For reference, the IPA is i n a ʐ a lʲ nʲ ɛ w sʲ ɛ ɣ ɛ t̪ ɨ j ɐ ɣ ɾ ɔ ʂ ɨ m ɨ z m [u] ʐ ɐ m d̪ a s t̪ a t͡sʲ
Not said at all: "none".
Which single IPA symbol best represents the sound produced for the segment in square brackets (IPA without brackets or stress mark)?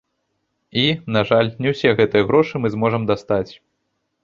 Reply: ɔ